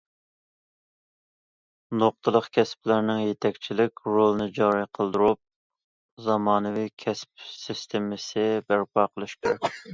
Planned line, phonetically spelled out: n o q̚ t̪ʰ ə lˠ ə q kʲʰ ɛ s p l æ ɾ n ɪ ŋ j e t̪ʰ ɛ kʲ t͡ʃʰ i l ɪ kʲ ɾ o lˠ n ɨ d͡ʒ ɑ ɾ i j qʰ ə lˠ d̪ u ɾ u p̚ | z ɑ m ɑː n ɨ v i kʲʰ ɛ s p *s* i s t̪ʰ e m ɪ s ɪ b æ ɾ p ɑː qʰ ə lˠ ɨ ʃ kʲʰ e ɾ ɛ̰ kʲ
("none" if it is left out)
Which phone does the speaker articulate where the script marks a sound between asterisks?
s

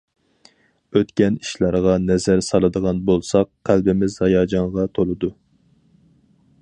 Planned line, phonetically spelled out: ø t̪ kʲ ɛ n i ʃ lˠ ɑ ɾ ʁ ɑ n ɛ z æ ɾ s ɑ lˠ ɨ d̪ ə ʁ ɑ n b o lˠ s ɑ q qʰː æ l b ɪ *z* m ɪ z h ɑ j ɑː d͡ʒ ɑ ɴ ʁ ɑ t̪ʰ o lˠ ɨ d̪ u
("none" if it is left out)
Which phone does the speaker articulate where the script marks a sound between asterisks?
none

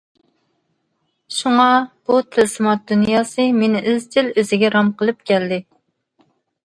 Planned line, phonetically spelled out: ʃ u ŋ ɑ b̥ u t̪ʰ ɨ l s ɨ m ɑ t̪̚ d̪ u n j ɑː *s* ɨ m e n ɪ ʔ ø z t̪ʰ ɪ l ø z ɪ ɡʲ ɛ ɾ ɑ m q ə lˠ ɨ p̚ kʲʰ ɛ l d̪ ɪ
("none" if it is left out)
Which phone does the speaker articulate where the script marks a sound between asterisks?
s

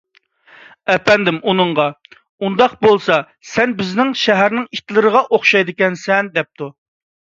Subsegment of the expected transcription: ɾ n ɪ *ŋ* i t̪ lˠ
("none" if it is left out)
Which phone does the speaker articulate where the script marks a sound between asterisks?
ŋ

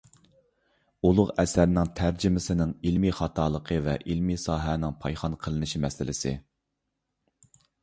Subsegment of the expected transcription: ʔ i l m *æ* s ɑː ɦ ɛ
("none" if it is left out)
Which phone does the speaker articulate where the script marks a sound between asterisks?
i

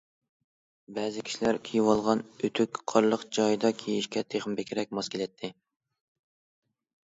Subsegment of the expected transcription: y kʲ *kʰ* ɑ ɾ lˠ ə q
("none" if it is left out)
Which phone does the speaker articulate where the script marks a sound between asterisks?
qʰ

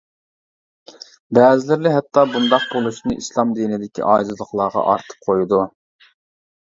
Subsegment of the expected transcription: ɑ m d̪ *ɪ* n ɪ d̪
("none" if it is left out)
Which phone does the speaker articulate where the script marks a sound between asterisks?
i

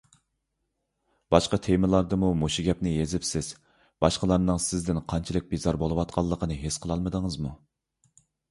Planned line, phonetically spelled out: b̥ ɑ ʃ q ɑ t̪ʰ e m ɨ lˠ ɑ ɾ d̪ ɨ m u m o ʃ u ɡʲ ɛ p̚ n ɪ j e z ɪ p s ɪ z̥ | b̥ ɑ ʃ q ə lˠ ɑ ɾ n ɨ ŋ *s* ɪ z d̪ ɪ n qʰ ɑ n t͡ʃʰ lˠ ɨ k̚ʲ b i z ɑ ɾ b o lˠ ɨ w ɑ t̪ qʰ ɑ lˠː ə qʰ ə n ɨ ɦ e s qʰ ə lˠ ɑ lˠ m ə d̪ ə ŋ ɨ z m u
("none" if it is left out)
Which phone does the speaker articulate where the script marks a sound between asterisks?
s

